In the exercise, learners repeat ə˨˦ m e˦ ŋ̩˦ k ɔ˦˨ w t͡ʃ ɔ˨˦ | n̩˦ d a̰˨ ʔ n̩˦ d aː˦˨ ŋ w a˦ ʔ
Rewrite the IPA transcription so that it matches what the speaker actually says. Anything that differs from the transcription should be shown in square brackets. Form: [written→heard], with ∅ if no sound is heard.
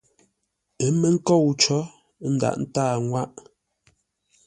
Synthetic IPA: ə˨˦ m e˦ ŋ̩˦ k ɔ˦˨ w t͡ʃ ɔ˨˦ | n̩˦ d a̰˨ ʔ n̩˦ [d→t] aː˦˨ ŋ w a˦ ʔ